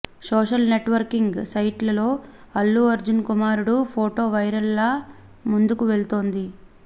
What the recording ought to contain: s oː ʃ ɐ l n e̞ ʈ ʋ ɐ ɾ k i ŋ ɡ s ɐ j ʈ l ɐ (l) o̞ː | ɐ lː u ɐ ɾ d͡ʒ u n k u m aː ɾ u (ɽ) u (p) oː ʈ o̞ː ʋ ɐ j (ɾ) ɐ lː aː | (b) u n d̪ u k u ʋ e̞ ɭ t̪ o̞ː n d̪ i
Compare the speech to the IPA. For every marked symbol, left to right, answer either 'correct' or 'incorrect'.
correct, correct, incorrect: pʰ, correct, incorrect: m

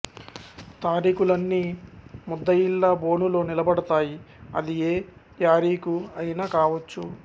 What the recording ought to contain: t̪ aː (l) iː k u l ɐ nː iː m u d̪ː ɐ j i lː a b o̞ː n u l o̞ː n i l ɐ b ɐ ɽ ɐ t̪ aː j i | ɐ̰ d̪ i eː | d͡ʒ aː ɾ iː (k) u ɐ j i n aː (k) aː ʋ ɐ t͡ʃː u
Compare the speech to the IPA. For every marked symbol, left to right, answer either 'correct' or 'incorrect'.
incorrect: ɾ, correct, correct

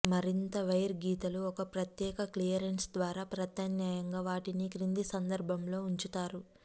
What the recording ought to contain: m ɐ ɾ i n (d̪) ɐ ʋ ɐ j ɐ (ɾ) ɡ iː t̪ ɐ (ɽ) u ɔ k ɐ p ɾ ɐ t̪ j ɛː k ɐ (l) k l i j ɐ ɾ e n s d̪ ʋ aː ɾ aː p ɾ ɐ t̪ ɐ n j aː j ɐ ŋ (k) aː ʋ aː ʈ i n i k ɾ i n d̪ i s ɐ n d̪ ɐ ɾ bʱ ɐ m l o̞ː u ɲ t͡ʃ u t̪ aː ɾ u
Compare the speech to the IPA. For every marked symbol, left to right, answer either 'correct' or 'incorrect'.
incorrect: t̪, correct, incorrect: l, incorrect: none, incorrect: ɡ

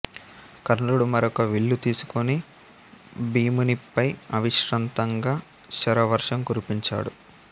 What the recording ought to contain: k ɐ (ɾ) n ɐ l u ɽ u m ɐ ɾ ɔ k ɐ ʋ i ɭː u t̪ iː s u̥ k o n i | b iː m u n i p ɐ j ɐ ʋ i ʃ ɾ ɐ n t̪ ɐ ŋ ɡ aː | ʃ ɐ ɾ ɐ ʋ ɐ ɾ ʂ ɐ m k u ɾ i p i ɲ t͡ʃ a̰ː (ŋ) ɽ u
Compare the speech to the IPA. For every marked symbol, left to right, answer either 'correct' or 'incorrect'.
correct, incorrect: none

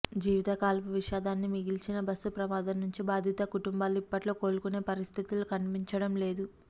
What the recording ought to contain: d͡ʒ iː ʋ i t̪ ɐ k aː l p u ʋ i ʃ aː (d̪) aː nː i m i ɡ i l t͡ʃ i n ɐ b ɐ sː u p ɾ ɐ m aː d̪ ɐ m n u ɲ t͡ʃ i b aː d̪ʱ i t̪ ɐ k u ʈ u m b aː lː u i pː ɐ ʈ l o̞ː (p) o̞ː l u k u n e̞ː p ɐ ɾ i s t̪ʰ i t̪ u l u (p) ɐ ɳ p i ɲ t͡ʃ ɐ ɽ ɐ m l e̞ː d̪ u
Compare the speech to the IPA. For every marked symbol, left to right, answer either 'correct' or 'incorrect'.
correct, incorrect: k, incorrect: k

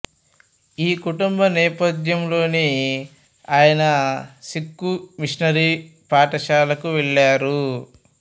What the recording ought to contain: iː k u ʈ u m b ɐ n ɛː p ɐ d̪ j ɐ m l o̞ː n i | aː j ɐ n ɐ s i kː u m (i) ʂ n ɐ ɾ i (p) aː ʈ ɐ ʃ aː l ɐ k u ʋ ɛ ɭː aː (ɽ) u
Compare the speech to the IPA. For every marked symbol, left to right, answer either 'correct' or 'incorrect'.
correct, correct, incorrect: ɾ

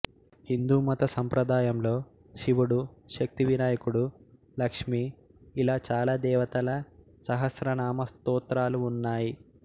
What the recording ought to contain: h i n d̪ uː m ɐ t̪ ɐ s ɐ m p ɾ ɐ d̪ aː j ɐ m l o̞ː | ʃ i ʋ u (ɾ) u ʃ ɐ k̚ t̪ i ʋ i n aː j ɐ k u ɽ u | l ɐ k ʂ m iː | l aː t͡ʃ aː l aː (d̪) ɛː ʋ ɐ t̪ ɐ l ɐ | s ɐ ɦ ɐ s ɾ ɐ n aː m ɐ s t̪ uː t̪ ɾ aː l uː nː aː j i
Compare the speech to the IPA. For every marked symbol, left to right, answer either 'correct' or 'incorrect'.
incorrect: ɽ, correct

